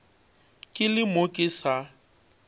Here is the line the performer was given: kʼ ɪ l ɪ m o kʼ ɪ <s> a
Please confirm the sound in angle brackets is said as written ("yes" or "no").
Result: yes